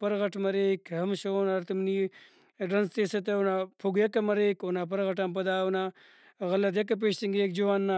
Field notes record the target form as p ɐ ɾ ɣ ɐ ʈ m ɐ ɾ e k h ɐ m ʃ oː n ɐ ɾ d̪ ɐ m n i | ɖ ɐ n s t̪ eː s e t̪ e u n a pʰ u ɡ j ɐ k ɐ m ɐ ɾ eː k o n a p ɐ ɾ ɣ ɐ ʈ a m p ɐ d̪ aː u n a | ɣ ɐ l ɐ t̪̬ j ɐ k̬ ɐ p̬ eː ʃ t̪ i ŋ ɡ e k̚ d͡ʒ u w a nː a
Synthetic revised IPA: p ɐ ɾ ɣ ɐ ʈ m ɐ ɾ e k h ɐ m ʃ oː n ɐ ɾ t̪ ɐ m n i | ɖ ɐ n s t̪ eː s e t̪ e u n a pʰ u ɡ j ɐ k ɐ m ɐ ɾ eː k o n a p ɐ ɾ ɣ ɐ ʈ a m p ɐ d̪ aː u n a | ɣ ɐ l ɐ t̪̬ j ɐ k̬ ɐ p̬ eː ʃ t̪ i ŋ ɡ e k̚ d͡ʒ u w a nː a

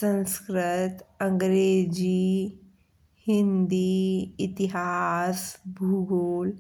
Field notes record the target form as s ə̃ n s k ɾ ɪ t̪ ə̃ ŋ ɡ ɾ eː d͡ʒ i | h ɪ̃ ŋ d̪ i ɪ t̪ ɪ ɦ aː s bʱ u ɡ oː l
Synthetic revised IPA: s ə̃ n s k ɾ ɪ t̪ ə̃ ŋ ɡ ɾ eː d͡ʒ i | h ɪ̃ n d̪ i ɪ t̪ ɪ ɦ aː s bʱ u ɡ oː l

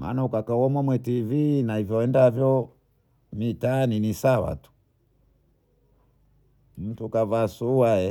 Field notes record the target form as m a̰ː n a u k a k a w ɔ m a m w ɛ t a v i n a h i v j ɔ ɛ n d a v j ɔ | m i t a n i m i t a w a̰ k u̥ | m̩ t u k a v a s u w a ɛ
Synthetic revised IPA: m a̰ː n a u k a k a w ɔ m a m w ɛ t i v i n a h i v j ɔ ɛ n d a v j ɔ | m i t a n i n i s a w a̰ t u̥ | m̩ t u k a v a s u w a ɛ

